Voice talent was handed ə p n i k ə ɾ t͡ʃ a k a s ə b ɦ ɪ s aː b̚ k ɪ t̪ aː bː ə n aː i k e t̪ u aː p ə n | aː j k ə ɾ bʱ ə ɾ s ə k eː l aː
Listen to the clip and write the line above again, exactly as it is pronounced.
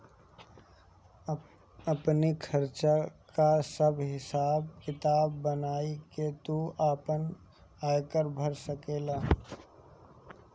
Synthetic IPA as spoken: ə p n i kʰ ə ɾ t͡ʃ a k a s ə b ɦ ɪ s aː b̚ k ɪ t̪ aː bː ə n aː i k e t̪ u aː p ə n | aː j k ə ɾ bʱ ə ɾ s ə k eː l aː